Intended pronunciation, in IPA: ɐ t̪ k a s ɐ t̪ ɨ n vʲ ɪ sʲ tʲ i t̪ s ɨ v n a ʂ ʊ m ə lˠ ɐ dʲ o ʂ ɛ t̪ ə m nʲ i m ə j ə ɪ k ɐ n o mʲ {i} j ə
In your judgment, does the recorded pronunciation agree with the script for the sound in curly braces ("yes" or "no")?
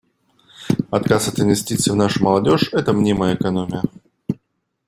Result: no